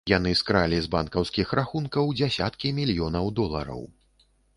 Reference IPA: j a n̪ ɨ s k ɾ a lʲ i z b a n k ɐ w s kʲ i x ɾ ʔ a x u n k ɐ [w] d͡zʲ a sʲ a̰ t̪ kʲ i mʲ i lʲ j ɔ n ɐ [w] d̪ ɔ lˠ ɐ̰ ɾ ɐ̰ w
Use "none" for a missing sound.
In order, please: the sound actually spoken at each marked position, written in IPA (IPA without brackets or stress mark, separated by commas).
w, w